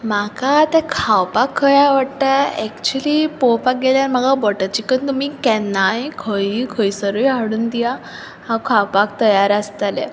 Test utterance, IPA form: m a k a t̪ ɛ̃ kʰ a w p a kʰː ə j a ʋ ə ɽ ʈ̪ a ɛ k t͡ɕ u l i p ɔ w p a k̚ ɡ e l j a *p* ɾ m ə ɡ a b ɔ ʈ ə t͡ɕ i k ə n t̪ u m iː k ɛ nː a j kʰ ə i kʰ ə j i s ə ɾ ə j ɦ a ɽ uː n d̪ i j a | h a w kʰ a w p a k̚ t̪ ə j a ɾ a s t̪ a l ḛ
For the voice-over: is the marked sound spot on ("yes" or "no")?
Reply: no